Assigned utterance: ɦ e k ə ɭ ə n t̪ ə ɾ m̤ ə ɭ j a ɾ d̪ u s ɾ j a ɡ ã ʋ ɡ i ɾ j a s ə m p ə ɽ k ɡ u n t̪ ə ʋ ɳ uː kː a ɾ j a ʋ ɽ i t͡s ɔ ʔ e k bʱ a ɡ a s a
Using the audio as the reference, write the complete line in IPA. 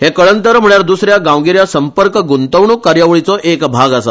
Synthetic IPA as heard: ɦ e k ə ɭ ə n t̪ ə ɾ m̤ ə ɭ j a ɾ d̪ u s ɾ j a ɡ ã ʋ ɡ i ɾ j a s ə m p ə ɾ k ɡ u n t̪ ə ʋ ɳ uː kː a ɾ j a ʋ ɭ i t͡s ɔ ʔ e k bʱ a ɡ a s a